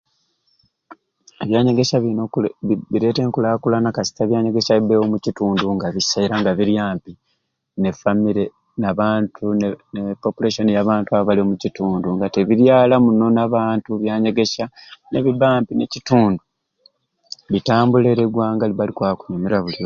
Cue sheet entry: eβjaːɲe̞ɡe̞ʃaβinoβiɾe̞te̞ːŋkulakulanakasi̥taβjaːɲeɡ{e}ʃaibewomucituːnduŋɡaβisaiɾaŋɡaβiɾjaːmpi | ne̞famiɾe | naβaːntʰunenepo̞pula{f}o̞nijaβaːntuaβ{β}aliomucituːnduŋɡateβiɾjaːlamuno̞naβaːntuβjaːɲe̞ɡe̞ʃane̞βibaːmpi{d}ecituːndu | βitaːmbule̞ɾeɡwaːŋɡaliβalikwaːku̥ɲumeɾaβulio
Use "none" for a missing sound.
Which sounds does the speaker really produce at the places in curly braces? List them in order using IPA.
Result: e, ʃ, β, n

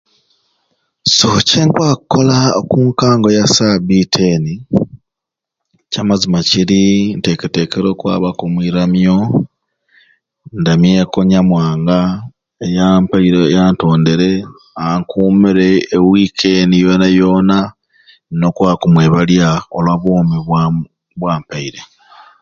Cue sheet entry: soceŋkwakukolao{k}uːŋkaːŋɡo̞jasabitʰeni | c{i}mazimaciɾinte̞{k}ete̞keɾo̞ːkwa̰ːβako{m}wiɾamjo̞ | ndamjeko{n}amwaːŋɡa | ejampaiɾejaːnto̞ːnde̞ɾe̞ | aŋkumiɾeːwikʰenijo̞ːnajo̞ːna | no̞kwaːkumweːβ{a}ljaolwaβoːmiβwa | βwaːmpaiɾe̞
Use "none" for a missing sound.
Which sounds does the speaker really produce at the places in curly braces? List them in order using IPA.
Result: k, a, k, m, ɲ, a

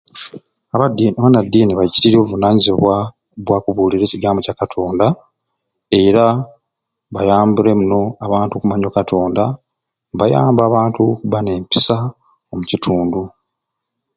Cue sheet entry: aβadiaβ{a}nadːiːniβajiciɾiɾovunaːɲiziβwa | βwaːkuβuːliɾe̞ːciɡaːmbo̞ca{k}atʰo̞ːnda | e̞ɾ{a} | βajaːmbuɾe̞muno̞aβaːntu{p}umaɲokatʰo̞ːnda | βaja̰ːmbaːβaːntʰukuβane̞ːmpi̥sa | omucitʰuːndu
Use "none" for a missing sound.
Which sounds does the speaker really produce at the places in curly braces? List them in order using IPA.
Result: a, k, a, k

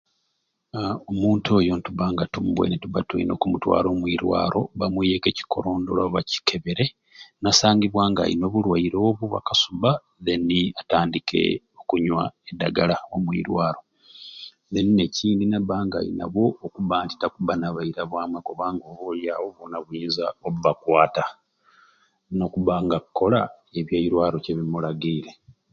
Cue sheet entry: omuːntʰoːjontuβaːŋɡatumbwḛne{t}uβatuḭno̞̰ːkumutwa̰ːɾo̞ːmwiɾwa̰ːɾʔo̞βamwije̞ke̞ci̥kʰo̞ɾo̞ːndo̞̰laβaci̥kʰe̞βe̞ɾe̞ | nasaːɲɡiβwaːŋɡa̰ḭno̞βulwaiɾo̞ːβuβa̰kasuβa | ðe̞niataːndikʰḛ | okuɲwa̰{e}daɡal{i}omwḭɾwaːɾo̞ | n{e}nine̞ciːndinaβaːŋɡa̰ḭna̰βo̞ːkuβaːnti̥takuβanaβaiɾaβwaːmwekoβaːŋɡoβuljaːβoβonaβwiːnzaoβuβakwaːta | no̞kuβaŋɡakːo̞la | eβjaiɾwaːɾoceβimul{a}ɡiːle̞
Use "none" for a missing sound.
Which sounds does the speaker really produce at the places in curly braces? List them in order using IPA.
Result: t, e, a, e, a

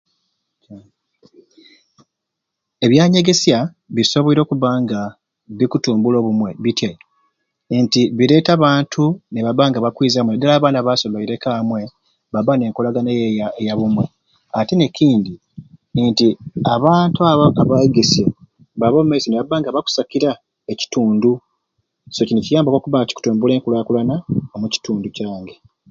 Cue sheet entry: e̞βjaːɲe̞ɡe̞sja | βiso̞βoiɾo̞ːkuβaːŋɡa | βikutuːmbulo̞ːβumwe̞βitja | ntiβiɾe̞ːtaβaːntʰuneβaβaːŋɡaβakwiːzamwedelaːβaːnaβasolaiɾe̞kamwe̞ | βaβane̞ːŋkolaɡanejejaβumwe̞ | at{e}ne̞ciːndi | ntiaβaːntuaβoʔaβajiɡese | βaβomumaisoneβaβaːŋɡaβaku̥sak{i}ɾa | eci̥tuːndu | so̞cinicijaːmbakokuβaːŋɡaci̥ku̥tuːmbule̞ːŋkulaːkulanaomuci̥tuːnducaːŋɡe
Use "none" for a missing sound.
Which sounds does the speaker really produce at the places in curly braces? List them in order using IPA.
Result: e, i

